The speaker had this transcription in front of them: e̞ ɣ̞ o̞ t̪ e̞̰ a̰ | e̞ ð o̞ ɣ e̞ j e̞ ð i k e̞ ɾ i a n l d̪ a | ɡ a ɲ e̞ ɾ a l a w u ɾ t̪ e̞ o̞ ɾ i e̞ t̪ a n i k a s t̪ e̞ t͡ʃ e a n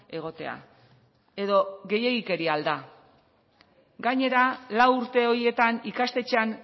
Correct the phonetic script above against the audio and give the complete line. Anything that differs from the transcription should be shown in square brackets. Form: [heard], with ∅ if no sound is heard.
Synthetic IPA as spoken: e̞ ɣ̞ o̞ t̪ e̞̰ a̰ | e̞ ð o̞ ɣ e̞ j e̞ [ɣ] i k e̞ ɾ i a [∅] l d̪ a | ɡ a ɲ e̞ ɾ a l a w u ɾ t̪ e̞ o̞ ɾ i e̞ t̪ a n i k a s t̪ e̞ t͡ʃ e a n